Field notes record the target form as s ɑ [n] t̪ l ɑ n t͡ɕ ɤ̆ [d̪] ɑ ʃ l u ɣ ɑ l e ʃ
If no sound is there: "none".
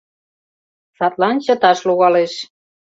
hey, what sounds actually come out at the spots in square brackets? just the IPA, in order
none, t̪

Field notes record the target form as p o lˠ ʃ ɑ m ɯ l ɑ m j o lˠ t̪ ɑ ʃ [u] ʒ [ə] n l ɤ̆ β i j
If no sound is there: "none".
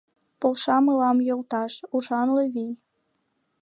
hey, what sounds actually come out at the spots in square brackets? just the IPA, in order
u, ɑ

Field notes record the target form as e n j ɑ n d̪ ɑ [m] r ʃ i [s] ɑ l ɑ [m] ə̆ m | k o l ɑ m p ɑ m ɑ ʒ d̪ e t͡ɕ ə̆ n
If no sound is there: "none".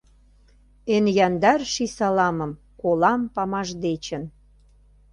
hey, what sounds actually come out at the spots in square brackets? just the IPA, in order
none, s, m

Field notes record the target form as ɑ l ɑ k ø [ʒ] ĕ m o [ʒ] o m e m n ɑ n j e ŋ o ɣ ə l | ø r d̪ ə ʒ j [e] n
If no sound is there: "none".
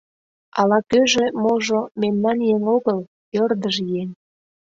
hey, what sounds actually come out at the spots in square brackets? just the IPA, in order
ʒ, ʒ, e

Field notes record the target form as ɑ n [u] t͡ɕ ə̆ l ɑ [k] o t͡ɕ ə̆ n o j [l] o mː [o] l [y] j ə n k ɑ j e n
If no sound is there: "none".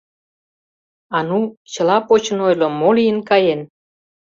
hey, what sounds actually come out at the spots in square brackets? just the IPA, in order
u, p, l, o, i

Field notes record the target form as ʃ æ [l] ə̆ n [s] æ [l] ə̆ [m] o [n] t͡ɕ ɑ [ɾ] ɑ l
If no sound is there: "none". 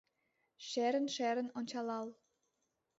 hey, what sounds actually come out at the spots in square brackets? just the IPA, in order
ɾ, ʃ, ɾ, n, n, l

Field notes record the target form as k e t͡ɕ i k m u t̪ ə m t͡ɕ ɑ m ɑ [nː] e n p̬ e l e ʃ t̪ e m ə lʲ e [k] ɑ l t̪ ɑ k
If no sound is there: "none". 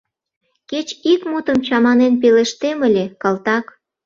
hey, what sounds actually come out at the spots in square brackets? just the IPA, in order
n, k

